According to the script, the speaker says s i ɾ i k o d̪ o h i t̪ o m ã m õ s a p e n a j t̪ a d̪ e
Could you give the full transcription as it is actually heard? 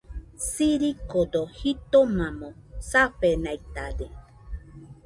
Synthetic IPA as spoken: s i ɾ i k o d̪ o h i t̪ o m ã m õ s a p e n a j t̪ a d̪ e